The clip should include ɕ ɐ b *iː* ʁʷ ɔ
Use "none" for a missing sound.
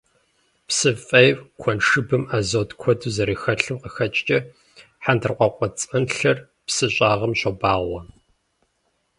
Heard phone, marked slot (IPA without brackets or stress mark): aː